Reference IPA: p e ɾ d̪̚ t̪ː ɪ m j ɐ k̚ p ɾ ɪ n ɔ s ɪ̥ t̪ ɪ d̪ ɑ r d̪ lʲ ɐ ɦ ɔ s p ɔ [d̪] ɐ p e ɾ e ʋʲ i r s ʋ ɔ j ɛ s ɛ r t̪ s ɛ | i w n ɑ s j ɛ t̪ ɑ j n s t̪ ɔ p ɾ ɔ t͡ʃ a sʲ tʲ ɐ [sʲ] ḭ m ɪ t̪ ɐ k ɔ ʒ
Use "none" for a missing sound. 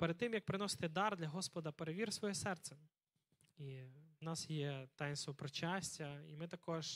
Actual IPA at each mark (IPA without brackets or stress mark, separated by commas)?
d̪, none